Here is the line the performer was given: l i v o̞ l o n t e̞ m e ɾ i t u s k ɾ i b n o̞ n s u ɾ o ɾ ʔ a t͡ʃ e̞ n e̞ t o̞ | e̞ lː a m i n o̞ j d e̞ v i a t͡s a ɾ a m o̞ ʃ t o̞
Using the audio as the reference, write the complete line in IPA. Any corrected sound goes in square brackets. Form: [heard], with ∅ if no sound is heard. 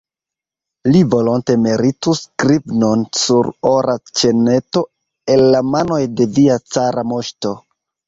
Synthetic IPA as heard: l i v o̞ l o n t e̞ m e ɾ i t u s k ɾ i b n o̞ n s u ɾ o ɾ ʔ a t͡ʃ e̞ n e̞ t o̞ | e̞ lː a m [a] n o̞ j d e̞ v i a t͡s a ɾ a m o̞ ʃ t o̞